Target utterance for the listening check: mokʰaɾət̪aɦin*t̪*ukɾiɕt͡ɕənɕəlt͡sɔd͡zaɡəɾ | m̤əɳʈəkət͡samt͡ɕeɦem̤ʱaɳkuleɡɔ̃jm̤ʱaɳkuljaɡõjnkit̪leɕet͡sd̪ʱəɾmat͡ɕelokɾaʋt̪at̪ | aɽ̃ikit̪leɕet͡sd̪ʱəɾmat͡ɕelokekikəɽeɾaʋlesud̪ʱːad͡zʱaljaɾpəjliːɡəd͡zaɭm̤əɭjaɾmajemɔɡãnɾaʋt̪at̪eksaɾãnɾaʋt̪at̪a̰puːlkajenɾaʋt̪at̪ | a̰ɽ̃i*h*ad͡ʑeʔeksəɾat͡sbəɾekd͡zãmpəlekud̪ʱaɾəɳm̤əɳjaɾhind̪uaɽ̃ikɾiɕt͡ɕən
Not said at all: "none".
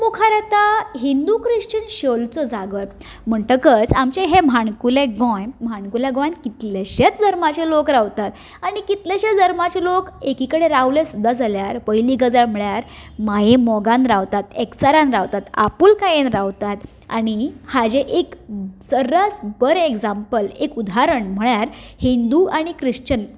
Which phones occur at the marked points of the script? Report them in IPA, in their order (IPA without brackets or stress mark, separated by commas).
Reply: d̪, h